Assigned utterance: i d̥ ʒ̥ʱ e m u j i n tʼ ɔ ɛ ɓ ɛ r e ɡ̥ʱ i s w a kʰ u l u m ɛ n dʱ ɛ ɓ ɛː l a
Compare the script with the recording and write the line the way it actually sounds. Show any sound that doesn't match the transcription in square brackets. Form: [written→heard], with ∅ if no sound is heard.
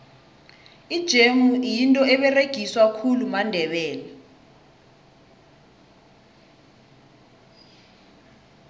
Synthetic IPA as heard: i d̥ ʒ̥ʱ e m u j i n tʼ ɔ ɛ ɓ ɛ r e ɡ̥ʱ i s w a kʰ u l u m [ɛ→a] n dʱ ɛ ɓ ɛː l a